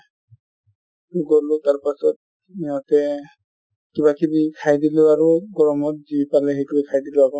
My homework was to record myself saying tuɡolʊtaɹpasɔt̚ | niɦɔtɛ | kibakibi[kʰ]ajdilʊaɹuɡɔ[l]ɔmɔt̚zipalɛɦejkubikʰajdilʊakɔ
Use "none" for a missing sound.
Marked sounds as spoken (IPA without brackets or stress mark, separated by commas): kʰ, ɹ